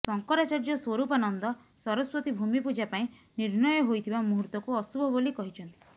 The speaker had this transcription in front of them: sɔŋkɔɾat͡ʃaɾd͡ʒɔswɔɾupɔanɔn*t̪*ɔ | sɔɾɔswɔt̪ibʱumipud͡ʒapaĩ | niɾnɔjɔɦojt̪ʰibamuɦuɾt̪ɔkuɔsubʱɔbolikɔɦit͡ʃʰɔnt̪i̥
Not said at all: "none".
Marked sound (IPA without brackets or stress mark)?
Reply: d̪